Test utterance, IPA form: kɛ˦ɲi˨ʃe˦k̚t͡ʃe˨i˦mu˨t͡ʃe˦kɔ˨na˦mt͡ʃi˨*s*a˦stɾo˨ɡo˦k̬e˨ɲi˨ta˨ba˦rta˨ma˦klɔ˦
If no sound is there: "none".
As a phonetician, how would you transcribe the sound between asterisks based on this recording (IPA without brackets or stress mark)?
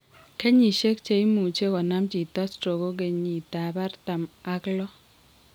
t